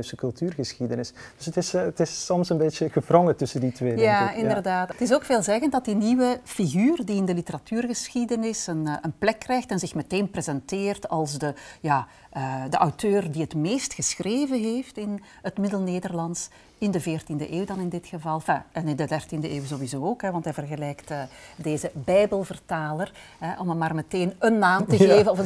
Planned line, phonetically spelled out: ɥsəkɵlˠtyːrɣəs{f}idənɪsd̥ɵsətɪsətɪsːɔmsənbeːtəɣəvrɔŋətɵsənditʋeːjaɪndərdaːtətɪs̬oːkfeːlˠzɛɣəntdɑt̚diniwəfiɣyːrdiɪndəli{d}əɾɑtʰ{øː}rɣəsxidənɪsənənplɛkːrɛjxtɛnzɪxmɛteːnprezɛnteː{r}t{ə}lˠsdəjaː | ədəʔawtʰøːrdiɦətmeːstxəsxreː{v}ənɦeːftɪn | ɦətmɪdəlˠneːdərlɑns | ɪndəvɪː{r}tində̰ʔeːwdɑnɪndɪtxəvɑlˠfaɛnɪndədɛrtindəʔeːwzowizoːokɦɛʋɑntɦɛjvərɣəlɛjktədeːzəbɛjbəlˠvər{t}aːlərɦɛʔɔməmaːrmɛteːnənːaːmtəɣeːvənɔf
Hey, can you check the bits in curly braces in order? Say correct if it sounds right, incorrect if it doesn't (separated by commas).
incorrect, incorrect, incorrect, correct, incorrect, correct, correct, correct